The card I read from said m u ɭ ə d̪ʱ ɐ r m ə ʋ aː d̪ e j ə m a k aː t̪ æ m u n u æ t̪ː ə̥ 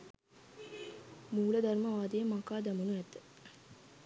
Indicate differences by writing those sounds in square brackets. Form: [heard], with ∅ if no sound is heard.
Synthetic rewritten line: m [uː] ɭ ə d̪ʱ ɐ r m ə ʋ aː d̪ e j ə m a k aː [d̪] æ m u n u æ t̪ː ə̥